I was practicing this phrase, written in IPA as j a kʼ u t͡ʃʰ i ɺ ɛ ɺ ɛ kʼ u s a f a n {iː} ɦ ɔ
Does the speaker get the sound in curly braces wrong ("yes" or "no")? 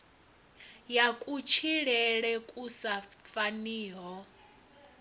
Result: no